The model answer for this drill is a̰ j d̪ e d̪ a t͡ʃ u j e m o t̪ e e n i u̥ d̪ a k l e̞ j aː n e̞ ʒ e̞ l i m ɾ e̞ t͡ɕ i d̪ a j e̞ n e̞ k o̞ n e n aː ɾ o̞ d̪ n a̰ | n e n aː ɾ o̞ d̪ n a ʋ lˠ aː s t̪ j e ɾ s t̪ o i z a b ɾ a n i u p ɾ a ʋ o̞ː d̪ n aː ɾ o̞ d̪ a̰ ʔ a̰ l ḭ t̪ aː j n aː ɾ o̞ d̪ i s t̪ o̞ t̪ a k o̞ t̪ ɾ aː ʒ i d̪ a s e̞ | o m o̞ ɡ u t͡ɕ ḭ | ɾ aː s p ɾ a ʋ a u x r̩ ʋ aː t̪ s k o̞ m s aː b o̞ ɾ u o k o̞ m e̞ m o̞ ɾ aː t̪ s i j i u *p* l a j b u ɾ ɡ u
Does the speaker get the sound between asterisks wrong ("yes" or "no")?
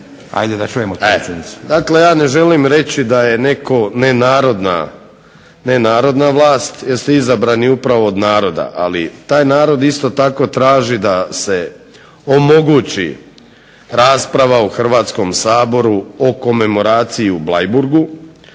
yes